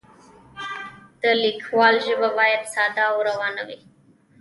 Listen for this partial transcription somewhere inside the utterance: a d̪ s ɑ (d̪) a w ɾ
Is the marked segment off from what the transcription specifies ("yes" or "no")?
no